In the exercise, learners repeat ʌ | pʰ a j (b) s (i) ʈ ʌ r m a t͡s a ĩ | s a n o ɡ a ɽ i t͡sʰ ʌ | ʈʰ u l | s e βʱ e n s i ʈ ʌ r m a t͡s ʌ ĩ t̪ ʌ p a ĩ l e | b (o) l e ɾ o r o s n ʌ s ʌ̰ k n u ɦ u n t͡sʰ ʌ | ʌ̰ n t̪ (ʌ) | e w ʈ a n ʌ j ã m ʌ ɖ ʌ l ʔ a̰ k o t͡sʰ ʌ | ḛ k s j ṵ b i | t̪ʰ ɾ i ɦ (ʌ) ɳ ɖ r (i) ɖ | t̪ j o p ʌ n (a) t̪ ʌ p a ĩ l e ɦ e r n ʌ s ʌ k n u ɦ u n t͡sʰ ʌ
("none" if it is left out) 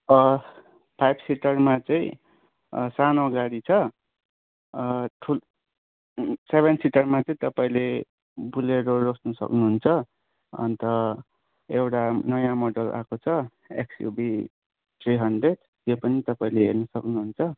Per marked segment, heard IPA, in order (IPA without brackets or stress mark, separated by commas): b, i, u, ʌ, ʌ, e, i